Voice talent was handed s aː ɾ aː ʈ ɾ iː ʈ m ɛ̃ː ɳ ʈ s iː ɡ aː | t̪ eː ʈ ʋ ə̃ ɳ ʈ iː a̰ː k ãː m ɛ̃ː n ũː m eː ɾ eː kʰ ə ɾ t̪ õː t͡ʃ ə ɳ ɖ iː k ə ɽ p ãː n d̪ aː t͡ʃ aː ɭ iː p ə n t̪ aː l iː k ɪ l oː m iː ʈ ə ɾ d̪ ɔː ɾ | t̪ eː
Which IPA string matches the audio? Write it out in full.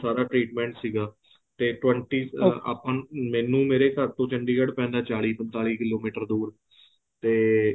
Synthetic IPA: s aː ɾ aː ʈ ɾ iː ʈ m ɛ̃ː ɳ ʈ s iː ɡ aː | t̪ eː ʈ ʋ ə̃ ɳ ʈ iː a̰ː p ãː m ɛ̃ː n ũː m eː ɾ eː k ə ɾ t̪ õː t͡ʃ ə ɳ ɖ iː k ə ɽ p ɛ̃ː n d̪ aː t͡ʃ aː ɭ iː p ə n t̪ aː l iː k ɪ l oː m iː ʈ ə ɾ d̪ uː ɾ | t̪ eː